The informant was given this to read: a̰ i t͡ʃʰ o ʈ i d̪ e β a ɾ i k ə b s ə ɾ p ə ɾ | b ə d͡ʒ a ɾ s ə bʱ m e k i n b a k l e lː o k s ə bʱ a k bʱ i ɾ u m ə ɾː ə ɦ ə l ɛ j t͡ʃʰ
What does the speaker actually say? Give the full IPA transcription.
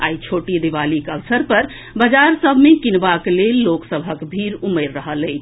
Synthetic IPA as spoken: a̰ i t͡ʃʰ o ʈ i d̪ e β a l i k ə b s ə ɾ p ə ɾ | b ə d͡ʒ a ɾ s ə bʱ m e k i n b a k l e lː o k s ə bʱ ə k bʱ i ɾ u m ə ɾː ə ɦ ə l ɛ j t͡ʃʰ